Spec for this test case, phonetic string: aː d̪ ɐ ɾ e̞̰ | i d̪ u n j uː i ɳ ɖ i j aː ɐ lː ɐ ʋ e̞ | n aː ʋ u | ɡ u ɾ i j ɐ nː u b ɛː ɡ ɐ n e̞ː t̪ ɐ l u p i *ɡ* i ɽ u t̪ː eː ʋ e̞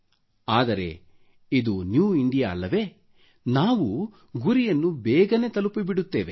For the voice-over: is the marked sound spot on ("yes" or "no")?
no